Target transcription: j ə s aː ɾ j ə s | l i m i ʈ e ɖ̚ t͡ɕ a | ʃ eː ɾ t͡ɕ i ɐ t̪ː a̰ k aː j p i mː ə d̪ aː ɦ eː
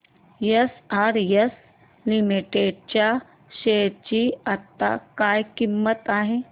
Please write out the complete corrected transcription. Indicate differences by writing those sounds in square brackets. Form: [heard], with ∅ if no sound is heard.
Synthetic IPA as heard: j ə s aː ɾ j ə s | l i m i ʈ e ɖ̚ t͡ɕ a | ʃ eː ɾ t͡ɕ i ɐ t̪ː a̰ k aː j [k] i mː ə [t̪] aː ɦ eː

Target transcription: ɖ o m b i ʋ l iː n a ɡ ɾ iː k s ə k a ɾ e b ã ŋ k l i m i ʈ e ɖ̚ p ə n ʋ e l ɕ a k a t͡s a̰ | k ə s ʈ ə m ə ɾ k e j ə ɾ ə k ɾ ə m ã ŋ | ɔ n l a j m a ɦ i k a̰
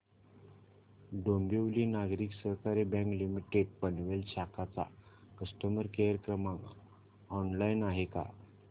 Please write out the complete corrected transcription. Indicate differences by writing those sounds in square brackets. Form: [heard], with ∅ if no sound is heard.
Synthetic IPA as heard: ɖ o m b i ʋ l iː n a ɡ ɾ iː k s ə k a ɾ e b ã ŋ k l i m i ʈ e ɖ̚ p ə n ʋ e l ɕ a k a t͡s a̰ | k ə s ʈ ə m ə ɾ k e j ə ɾ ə k ɾ ə m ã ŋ | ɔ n l a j [n] a ɦ [e] k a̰

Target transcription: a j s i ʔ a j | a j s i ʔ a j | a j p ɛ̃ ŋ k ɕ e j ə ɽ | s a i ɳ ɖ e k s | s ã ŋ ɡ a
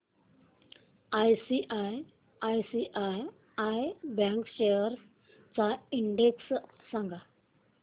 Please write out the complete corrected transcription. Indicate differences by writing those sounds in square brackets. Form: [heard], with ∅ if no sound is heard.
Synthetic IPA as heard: a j s i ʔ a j | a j s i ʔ a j | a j [b] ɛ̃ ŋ k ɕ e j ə [ɾ] | [t͡s] a i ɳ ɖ e k s | s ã ŋ ɡ a

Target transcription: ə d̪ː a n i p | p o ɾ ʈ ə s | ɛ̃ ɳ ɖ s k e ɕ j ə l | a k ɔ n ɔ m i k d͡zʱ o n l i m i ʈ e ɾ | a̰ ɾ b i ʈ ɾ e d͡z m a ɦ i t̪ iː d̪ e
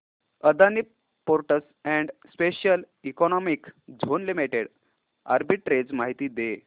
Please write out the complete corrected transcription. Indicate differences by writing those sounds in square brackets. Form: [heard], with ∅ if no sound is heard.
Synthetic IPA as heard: ə [d̪] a n i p | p o ɾ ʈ ə s | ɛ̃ ɳ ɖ s [p] e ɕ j ə l | [i] k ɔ n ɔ m i k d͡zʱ o n l i m i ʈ e [ɽ] | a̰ ɾ b i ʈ ɾ e d͡z m a ɦ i t̪ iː d̪ e

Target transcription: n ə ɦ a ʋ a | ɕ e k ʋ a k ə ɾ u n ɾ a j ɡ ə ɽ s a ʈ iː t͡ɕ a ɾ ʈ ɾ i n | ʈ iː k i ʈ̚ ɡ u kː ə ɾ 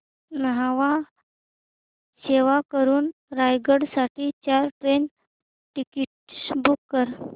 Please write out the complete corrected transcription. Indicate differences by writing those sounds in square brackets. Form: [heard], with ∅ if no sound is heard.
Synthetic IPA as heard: n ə ɦ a ʋ a | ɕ e [∅] ʋ a k ə ɾ [uː] n ɾ a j ɡ ə ɽ s a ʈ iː t͡ɕ a ɾ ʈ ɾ [e] n | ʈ [i] k i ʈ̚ [b] u kː ə ɾ

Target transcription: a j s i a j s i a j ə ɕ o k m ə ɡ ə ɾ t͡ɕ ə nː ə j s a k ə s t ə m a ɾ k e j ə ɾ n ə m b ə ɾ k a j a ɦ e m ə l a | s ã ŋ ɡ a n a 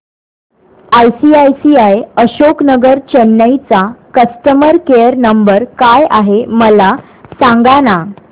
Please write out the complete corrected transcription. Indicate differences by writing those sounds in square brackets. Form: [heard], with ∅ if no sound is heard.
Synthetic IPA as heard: a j s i a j s i a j ə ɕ o k [n] ə ɡ ə ɾ t͡ɕ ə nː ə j [t͡s] a k ə s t ə m [ə] ɾ k e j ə ɾ n ə m b ə ɾ k a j a ɦ e m ə l a | s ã ŋ ɡ a n a

